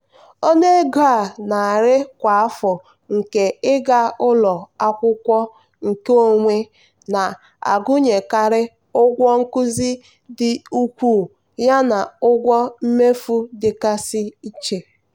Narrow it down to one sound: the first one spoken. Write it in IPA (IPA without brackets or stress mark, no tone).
o